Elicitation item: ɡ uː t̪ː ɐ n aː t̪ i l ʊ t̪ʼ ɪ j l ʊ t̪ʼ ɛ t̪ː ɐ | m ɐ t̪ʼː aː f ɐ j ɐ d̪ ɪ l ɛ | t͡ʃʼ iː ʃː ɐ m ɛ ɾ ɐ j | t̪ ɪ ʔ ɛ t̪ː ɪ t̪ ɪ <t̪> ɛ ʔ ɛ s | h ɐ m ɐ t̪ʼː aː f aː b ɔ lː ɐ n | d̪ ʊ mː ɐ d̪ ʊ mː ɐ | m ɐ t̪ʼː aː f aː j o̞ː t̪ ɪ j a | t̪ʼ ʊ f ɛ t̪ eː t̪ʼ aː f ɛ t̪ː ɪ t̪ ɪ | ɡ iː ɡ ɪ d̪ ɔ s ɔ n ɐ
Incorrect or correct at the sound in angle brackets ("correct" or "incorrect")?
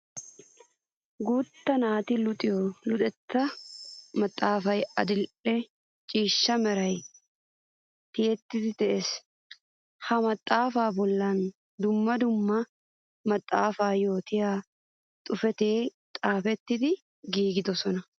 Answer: correct